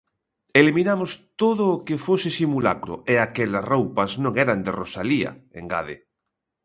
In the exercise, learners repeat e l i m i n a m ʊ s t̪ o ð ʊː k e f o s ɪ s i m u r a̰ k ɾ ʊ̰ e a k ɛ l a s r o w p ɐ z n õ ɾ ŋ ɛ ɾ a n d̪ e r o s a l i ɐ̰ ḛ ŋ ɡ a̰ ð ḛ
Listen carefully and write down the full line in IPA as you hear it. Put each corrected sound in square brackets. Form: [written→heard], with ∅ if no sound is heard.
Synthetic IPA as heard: e l i m i n a m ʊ s t̪ o ð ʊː k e f o s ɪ s i m u [r→l] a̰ k ɾ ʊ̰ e a k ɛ l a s r o w p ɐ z n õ [ɾ→∅] ŋ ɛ ɾ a n d̪ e r o s a l i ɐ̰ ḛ ŋ ɡ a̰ ð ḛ

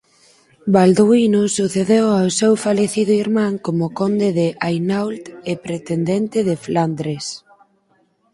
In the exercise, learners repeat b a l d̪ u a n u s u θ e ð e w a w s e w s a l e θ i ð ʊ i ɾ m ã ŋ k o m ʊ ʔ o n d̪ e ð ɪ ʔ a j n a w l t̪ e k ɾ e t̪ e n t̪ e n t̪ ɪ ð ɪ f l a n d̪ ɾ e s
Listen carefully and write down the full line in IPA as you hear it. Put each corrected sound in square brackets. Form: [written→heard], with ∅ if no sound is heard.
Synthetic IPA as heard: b a l d̪ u [a→i] n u s u θ e ð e w a w s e w [s→f] a l e θ i ð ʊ i ɾ m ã ŋ k o m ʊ [ʔ→k] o n d̪ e ð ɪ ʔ a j n a w l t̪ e [k→p] ɾ e t̪ e n [t̪→d̪] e n t̪ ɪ ð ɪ f l a n d̪ ɾ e s

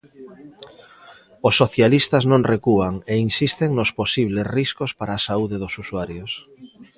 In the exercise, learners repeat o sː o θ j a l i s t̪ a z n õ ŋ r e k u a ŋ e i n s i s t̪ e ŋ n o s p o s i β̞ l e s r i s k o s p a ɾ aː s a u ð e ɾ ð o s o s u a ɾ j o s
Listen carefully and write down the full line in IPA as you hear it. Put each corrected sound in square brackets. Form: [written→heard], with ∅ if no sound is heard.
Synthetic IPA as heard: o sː o θ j a l i s t̪ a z n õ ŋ r e k u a ŋ e i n s i s t̪ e ŋ n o s p o s i β̞ l e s r i s k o s p a ɾ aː s a u ð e [ɾ→∅] ð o s [o→u] s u a ɾ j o s

